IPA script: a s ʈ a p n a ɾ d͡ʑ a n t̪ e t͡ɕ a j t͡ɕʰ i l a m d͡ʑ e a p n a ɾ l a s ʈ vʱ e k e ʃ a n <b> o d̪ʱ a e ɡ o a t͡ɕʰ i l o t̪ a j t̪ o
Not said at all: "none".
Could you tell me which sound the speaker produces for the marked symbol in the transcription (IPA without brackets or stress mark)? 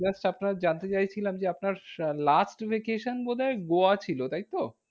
b